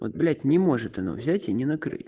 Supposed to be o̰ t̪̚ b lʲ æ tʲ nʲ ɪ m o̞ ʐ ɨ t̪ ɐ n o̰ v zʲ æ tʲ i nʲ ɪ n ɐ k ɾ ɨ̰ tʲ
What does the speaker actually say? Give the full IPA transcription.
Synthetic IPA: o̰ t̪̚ b lʲ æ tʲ nʲ ɪ m o̞ ʐ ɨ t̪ ɐ n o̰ v zʲ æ tʲ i nʲ ɪ n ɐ k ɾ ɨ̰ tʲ

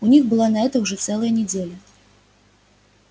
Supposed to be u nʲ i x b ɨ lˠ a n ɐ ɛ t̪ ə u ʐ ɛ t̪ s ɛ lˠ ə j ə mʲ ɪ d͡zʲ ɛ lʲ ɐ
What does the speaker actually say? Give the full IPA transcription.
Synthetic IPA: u nʲ i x b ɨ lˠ a n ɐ ɛ t̪ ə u ʐ ɛ t̪ s ɛ lˠ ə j ə nʲ ɪ d͡zʲ e lʲ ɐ

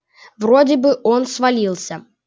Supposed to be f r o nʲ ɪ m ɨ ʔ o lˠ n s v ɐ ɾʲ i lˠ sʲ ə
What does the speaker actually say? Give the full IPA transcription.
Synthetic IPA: v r o dʲ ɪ b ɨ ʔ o n s v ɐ lʲ i lˠ sʲ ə

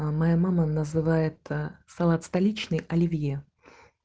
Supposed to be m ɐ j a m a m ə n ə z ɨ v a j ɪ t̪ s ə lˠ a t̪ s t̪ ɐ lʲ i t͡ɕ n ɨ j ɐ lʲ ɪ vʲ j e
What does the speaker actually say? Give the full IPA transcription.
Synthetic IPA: m ɐ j a m a m ə n ə z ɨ v a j ɪ t̪ s ɐ lˠ a t̪ s t̪ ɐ lʲ i t͡ɕ n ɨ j ɐ lʲ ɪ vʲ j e

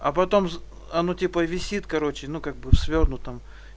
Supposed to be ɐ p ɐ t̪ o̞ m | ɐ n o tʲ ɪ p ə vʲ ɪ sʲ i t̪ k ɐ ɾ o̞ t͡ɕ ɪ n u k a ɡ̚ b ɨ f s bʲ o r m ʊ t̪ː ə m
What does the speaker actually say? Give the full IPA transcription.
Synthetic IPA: ɐ p ɐ t̪ o̞ m | ɐ n o tʲ i p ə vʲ ɪ sʲ i t̪ k ɐ ɾ o̞ t͡ɕ ɪ n u k a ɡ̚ b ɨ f s vʲ o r n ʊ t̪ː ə m

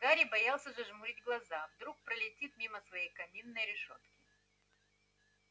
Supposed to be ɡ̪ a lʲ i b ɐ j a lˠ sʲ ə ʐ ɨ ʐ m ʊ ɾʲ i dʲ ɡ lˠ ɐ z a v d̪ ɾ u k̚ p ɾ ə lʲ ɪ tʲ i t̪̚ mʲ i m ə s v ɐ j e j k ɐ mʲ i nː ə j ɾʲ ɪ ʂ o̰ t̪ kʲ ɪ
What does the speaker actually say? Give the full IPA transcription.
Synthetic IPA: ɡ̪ a ɾʲ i b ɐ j a lˠ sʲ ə ʐ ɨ ʐ m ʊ ɾʲ i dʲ ɡ lˠ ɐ z a v d̪ ɾ u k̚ p ɾ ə lʲ ɪ tʲ i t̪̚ mʲ i m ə s v ɐ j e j k ɐ mʲ i nː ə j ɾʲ ɪ ʂ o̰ t̪ kʲ ɪ

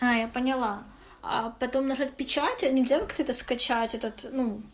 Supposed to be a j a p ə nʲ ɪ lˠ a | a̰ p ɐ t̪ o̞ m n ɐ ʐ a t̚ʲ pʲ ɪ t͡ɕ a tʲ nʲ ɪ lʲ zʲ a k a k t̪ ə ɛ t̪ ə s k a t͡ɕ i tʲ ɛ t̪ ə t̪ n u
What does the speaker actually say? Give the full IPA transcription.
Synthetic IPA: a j a p ə nʲ ɪ lˠ a | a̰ p ɐ t̪ o̞ m n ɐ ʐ a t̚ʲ pʲ ɪ t͡ɕ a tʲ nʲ ɪ lʲ zʲ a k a k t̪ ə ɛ t̪ ə s k ɐ t͡ɕ a tʲ ɛ t̪ ə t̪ n u

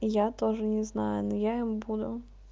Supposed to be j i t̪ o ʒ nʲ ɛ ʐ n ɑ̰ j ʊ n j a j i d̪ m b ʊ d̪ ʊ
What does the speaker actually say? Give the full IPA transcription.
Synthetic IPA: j a t̪ ɔ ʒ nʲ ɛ z n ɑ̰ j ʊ n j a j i m b u d̪ ʊ

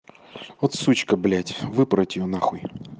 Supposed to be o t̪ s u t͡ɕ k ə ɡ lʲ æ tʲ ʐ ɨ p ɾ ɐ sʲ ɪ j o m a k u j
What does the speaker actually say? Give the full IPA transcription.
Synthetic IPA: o t̪ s u t͡ɕ k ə b lʲ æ tʲ v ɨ p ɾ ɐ tʲ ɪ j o n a x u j

